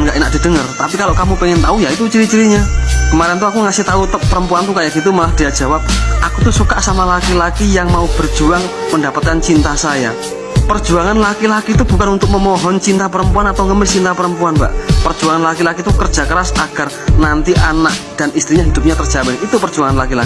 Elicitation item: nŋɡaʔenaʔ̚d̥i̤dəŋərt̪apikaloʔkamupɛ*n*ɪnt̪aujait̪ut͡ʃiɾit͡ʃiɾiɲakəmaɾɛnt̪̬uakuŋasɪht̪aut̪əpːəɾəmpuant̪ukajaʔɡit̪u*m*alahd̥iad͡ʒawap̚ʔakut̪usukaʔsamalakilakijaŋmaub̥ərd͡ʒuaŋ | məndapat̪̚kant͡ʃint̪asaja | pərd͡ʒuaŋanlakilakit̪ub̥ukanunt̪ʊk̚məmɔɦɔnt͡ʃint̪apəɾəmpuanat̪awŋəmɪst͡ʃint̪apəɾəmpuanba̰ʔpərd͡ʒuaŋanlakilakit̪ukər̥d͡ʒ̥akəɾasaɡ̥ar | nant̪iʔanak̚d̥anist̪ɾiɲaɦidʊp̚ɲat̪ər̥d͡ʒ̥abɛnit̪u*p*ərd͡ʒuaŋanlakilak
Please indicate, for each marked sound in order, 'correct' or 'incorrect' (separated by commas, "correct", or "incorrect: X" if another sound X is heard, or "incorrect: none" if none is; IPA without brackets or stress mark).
incorrect: ŋ, correct, correct